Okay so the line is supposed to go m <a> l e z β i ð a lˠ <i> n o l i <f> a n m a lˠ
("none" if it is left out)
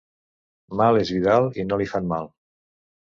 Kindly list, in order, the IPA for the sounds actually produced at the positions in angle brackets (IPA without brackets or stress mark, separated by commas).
a, i, f